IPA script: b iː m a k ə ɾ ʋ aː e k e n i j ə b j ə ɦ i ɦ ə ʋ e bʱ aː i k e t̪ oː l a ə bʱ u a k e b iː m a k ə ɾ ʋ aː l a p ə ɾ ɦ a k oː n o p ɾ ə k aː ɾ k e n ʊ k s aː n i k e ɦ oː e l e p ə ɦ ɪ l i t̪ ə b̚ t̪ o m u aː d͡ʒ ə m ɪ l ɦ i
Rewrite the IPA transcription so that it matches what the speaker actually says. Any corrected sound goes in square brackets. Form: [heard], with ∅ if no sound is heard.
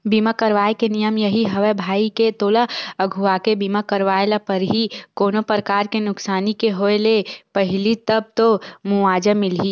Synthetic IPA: b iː m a k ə ɾ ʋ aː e k e n i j ə [m] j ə ɦ i ɦ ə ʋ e bʱ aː i k e t̪ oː l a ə [ɡʱ] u a k e b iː m a k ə ɾ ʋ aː l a p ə ɾ ɦ [i] k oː n o p ɾ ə k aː ɾ k e n ʊ k s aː n i k e ɦ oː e l e p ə ɦ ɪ l i t̪ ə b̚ t̪ o m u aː d͡ʒ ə m ɪ l ɦ i

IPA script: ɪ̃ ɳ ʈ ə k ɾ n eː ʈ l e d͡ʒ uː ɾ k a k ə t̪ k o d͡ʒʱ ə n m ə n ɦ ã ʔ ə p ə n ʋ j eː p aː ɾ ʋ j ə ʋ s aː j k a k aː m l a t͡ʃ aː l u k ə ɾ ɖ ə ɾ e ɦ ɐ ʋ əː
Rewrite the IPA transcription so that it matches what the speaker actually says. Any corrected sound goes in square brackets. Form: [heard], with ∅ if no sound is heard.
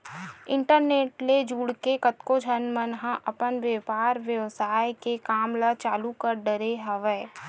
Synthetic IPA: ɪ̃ ɳ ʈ ə [∅] ɾ n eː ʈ l e d͡ʒ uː [ɽ] k [e] k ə t̪ k o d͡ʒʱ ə n m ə n ɦ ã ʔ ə p ə n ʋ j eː p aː ɾ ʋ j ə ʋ s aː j k [e] k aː m l a t͡ʃ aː l u k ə ɾ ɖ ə ɾ e ɦ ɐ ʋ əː

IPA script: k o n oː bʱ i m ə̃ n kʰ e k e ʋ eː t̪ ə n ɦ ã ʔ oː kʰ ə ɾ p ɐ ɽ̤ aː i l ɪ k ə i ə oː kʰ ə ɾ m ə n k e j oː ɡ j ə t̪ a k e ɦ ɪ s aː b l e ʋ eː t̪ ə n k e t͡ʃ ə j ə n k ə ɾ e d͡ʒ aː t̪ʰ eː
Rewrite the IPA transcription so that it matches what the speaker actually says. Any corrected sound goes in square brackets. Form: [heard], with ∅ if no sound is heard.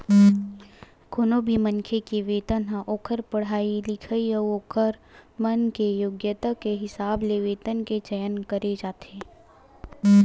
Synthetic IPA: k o n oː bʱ i m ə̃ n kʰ e k e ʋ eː t̪ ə n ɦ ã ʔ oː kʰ ə ɾ p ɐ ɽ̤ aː i l ɪ [kʰ] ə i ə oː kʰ ə ɾ m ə n k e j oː ɡ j ə t̪ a k e ɦ ɪ s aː b l e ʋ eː t̪ ə n k e t͡ʃ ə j ə n k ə ɾ e d͡ʒ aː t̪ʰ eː

